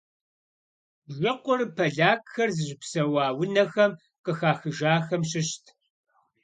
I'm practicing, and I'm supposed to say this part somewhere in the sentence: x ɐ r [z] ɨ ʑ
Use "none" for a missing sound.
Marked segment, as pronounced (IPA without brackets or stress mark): z